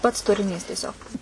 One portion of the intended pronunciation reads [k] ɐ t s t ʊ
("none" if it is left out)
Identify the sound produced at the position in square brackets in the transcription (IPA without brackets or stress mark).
p